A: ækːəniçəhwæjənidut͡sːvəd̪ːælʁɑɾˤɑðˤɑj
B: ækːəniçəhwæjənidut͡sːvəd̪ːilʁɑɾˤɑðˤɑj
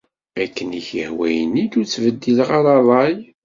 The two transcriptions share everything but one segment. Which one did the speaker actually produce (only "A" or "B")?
B